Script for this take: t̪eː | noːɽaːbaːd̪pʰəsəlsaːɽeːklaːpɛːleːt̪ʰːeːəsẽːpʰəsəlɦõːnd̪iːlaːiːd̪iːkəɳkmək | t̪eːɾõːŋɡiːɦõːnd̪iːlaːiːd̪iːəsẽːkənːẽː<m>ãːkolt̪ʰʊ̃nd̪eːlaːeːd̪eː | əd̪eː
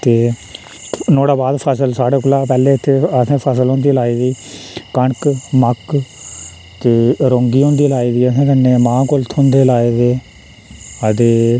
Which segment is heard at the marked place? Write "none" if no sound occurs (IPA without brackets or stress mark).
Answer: m